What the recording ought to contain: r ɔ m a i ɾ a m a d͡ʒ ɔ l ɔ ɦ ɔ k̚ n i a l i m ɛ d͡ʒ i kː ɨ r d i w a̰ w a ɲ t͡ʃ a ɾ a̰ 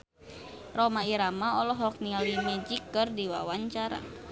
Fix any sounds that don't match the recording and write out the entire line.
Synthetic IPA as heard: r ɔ m a i ɾ a m a ɔ l ɔ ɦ ɔ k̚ n i a l i m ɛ d͡ʒ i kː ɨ r d i w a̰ w a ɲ t͡ʃ a ɾ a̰